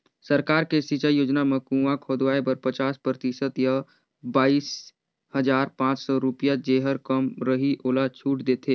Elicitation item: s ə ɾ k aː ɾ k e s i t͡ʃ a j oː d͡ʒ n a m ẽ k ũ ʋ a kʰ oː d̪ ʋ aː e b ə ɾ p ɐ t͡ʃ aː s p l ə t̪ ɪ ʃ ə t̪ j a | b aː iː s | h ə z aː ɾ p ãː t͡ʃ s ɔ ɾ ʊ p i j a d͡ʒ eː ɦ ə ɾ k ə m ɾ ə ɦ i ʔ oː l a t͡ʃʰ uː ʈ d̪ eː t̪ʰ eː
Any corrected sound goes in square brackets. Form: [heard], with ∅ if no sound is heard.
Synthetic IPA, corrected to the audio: s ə ɾ k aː ɾ k e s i t͡ʃ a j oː d͡ʒ n a m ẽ k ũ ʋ a kʰ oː d̪ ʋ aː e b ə ɾ p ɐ t͡ʃ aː s p [ɾ] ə t̪ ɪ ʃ ə t̪ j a | b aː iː s | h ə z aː ɾ p ãː t͡ʃ s ɔ ɾ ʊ p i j a d͡ʒ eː ɦ ə ɾ k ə m ɾ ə ɦ i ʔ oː l a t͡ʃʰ uː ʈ d̪ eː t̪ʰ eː